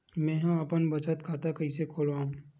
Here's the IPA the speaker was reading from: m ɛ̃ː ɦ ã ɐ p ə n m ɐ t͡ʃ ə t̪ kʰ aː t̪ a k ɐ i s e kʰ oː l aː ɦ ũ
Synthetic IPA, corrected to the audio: m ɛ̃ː ɦ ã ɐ p ə n b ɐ t͡ʃ ə t̪ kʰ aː t̪ a k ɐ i s e kʰ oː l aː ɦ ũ